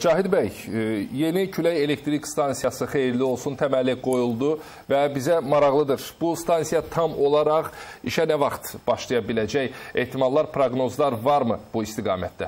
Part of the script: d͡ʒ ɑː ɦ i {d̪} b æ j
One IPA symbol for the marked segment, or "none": d̪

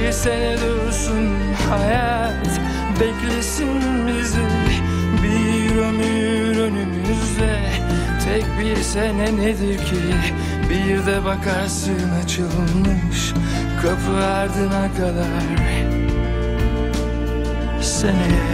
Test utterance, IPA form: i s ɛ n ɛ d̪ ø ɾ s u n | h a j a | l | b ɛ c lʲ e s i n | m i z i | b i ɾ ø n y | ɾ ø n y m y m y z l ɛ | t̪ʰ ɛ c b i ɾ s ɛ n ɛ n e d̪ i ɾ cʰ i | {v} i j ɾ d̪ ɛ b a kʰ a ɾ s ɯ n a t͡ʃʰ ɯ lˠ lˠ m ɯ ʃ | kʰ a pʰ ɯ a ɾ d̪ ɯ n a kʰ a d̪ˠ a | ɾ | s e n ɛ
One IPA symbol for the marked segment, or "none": b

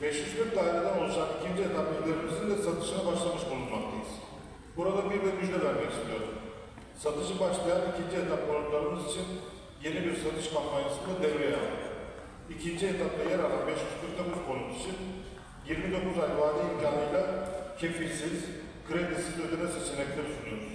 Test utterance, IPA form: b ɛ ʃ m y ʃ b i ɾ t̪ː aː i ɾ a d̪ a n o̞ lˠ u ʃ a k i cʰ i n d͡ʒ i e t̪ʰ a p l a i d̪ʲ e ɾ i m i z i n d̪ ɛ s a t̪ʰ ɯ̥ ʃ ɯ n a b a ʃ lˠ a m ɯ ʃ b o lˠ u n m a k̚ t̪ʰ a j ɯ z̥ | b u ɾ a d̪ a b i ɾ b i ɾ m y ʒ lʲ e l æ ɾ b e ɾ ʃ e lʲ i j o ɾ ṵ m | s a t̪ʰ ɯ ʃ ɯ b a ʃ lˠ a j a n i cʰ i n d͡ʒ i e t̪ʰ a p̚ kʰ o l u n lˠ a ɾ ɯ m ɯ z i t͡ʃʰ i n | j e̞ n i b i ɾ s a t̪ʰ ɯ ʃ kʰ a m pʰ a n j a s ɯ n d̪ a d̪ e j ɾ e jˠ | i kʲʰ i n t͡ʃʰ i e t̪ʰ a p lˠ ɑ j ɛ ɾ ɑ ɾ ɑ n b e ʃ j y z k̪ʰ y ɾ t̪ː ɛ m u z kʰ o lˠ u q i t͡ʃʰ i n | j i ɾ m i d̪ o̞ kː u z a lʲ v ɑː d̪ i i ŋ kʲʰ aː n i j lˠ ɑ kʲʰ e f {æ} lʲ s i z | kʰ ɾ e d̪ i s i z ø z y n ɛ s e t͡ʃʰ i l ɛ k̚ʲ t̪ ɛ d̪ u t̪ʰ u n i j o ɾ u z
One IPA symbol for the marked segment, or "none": i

